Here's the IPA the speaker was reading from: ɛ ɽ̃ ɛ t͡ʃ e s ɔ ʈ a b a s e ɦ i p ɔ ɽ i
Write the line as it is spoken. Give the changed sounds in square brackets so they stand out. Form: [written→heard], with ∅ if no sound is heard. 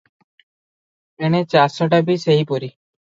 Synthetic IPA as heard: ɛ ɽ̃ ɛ t͡ʃ [e→a] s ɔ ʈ a b [a→i] s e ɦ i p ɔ [ɽ→ɾ] i